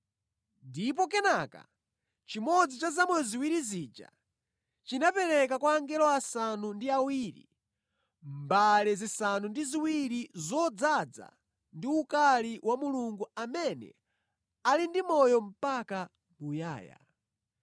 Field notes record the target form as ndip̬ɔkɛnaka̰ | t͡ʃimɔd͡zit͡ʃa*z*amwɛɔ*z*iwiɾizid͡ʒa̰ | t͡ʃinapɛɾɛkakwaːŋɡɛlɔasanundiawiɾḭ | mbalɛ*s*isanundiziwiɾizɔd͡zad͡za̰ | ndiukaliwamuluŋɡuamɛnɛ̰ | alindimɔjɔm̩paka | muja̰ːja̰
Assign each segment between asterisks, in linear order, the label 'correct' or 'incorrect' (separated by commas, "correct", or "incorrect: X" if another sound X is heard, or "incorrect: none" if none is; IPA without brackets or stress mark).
correct, correct, incorrect: z